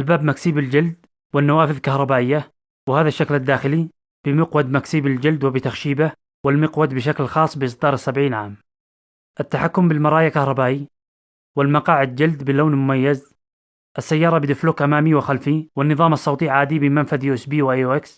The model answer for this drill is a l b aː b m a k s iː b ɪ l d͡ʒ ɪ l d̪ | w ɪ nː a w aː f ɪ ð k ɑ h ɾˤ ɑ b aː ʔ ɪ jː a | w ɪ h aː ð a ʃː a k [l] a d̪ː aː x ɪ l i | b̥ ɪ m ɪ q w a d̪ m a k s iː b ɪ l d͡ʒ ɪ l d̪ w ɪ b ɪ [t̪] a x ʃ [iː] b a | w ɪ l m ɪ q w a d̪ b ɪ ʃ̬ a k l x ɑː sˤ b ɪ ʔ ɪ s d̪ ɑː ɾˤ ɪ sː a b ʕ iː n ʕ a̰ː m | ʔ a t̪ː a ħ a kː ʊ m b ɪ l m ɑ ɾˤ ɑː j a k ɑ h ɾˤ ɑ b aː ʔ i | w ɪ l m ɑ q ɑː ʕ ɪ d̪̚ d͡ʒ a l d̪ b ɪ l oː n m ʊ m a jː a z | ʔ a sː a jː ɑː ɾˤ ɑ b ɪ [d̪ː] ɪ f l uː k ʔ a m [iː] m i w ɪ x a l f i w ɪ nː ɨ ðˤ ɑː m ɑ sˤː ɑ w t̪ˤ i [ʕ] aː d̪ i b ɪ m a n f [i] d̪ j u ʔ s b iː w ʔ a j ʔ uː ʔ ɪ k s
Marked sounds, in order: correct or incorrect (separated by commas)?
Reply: correct, correct, correct, incorrect, incorrect, correct, incorrect